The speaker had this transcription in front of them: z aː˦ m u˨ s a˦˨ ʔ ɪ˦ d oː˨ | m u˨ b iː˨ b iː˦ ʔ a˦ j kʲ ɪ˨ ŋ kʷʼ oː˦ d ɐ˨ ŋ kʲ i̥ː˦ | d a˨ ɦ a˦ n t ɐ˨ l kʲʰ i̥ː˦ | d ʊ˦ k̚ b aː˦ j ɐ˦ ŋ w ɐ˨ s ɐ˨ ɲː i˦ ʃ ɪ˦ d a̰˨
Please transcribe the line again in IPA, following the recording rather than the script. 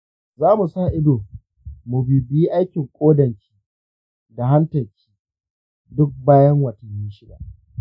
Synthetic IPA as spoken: z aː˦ m u˨ s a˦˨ ʔ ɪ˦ d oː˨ | m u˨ b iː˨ b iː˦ ʔ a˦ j kʲ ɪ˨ ŋ kʷʼ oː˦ d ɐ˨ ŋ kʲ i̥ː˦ | d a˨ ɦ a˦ n t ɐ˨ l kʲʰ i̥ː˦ | d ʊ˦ k̚ b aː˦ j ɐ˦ ŋ w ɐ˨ t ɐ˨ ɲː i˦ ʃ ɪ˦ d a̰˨